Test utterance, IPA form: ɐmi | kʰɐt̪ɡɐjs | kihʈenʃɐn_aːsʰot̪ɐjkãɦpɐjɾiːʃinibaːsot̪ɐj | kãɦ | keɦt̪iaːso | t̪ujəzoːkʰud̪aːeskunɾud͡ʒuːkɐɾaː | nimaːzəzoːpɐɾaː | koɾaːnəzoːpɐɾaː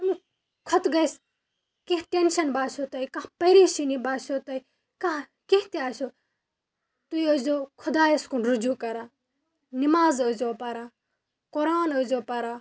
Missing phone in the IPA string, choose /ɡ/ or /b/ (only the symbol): b